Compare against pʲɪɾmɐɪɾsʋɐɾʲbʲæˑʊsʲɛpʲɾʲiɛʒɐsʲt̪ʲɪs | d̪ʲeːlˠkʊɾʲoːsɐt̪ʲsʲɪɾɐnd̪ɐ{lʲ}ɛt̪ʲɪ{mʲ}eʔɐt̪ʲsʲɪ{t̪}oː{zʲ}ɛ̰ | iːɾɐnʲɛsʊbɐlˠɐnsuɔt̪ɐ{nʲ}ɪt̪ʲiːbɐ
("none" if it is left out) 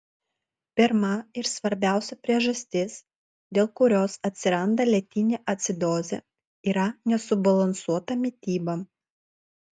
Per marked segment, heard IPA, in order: lʲ, nʲ, d̪, zʲ, mʲ

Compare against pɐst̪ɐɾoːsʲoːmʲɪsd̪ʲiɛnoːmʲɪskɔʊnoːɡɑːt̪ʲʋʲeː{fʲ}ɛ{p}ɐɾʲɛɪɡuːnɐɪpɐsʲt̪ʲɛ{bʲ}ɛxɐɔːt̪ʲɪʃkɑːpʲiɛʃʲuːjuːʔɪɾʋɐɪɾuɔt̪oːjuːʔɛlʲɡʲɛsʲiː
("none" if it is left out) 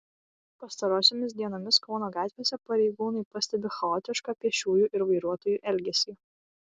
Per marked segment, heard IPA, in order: sʲ, p, bʲ

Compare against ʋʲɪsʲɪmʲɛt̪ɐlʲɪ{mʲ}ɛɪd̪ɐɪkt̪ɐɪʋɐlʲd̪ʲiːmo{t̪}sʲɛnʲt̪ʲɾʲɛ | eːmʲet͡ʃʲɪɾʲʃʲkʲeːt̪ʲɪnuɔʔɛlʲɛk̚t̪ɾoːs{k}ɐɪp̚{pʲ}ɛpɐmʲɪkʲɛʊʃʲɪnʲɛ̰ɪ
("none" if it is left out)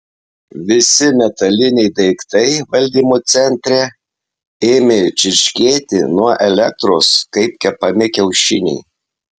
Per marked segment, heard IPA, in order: nʲ, t̪, k, kʲ

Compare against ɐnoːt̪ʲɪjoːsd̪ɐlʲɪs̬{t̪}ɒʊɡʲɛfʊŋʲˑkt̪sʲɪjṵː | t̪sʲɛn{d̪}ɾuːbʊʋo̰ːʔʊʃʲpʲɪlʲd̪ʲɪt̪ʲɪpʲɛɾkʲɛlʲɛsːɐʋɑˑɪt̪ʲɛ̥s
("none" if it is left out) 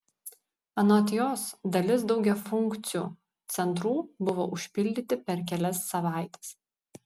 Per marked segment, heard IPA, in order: d̪, t̪

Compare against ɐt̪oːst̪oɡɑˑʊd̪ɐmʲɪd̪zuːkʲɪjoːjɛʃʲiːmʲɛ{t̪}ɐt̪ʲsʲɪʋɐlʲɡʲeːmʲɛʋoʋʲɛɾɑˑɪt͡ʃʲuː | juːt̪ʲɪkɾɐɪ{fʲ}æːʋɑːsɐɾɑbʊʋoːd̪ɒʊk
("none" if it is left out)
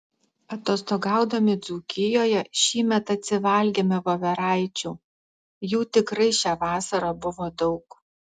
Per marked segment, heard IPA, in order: t̪, ʃʲ

